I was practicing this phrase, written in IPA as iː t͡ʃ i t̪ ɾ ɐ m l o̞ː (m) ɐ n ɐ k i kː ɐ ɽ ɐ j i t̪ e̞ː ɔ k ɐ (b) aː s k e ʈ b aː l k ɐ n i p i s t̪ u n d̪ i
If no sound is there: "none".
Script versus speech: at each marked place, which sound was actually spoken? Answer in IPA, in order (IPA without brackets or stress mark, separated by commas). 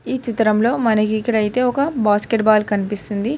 m, b